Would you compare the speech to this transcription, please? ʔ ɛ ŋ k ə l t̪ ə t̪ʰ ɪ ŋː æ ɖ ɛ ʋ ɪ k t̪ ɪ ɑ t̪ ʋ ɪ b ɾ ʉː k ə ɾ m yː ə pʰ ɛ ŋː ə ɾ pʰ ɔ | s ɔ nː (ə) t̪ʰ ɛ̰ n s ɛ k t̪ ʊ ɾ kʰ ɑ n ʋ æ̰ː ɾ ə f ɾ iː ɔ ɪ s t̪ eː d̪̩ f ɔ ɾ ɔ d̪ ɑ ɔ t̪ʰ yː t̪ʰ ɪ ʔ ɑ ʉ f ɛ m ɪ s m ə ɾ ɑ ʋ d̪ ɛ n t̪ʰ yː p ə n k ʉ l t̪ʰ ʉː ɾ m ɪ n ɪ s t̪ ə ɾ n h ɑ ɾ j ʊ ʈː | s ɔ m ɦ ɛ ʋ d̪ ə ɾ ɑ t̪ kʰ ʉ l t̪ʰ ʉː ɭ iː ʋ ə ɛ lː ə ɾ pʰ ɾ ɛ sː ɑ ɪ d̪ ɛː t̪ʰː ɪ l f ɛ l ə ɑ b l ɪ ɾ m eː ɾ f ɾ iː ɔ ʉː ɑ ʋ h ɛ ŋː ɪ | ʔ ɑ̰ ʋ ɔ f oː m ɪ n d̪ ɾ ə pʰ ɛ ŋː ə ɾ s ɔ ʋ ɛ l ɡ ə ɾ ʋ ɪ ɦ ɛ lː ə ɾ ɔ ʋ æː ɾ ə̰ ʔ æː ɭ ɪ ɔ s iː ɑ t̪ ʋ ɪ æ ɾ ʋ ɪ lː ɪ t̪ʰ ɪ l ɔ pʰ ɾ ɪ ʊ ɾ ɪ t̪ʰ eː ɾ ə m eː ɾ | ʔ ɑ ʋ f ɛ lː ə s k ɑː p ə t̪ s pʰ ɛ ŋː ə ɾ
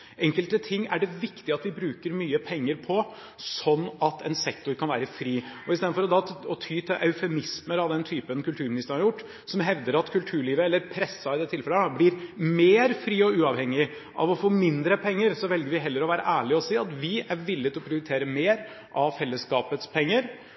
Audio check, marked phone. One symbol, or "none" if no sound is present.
ɑ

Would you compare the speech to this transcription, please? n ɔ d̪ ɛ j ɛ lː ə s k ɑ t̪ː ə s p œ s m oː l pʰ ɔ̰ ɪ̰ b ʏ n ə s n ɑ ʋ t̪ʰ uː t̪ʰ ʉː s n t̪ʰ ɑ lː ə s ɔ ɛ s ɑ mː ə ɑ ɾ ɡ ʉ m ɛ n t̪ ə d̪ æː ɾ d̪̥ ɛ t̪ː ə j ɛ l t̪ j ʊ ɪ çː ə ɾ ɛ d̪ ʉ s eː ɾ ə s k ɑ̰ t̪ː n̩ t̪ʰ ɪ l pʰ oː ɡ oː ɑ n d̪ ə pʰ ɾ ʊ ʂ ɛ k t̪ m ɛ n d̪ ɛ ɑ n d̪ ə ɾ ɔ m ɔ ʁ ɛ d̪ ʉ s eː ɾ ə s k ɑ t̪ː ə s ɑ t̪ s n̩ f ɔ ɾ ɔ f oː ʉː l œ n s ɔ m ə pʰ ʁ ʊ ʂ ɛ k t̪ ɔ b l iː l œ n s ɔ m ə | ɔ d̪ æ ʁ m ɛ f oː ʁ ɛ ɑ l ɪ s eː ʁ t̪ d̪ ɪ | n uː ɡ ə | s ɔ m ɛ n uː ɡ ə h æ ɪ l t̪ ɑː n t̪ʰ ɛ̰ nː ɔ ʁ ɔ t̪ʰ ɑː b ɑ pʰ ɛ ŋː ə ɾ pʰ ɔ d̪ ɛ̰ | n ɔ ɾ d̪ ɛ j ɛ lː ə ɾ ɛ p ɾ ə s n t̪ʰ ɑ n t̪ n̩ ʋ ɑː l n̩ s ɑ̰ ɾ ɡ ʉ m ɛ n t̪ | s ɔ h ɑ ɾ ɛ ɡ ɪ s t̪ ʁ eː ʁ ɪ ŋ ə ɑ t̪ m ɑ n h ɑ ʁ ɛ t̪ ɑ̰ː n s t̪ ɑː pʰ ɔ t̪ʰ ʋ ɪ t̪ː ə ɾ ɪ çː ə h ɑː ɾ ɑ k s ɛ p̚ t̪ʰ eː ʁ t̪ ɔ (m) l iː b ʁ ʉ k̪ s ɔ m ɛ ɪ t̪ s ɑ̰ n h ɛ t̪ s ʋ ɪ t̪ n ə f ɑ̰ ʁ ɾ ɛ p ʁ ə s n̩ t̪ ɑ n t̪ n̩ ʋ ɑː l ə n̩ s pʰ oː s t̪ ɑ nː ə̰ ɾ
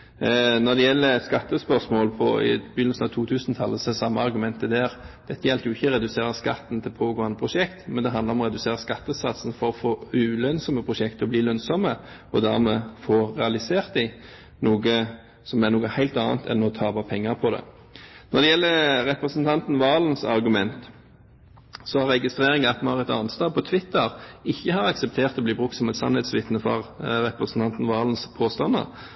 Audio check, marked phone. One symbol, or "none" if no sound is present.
b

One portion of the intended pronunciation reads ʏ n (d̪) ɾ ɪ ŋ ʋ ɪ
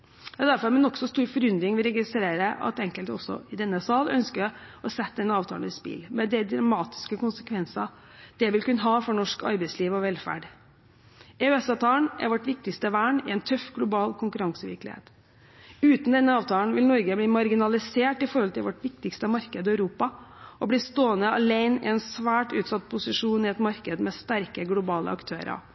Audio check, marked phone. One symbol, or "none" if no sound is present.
d̪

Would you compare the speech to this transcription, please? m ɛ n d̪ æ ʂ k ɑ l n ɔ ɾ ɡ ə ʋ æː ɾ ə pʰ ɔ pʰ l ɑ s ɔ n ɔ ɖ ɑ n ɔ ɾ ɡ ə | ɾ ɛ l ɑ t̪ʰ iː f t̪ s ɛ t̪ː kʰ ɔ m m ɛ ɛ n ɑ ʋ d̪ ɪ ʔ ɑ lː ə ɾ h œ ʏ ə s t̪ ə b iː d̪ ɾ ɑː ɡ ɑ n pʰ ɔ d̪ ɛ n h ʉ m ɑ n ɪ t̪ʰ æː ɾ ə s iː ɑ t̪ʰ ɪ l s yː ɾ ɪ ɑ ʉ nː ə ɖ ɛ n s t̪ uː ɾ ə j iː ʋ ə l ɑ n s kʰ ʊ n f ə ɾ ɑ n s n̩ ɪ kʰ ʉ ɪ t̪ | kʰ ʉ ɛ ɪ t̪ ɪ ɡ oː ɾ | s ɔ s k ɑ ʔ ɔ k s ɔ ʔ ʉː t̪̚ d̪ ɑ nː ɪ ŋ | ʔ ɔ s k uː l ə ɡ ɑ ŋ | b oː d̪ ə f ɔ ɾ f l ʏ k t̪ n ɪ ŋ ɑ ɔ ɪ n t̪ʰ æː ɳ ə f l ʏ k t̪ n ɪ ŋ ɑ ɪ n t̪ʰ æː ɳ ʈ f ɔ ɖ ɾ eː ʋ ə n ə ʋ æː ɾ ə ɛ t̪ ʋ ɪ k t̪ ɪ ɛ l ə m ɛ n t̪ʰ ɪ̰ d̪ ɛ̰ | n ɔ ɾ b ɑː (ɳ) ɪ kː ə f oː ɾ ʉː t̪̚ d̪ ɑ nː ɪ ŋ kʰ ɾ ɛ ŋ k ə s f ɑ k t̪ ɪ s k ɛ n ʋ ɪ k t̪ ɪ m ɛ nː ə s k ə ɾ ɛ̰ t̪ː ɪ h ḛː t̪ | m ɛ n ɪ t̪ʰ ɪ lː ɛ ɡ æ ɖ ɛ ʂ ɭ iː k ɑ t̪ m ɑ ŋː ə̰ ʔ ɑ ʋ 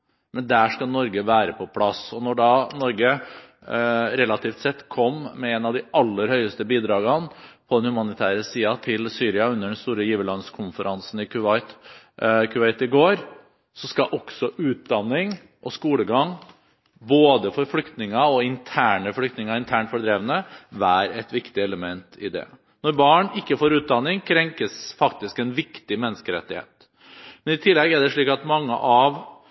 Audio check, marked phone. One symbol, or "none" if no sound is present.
ɳ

